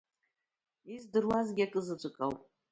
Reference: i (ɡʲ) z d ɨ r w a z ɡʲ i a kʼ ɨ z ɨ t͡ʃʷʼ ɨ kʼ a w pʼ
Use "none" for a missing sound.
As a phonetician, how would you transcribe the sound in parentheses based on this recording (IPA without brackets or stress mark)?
none